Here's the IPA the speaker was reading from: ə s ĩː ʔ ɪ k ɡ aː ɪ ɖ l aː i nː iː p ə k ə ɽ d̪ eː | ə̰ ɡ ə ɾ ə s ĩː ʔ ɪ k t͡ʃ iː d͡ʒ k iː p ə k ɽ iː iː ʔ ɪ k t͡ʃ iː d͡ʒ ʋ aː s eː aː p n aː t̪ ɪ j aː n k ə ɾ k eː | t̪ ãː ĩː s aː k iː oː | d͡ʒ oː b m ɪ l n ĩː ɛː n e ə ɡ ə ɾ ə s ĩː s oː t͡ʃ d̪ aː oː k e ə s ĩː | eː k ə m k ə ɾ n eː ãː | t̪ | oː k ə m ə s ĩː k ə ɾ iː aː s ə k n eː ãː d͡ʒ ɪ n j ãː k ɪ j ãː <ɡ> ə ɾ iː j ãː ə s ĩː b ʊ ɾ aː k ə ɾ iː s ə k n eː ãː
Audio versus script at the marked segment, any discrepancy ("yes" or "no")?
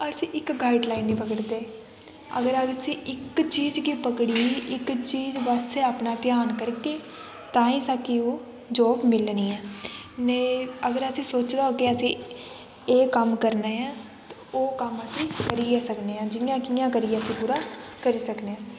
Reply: yes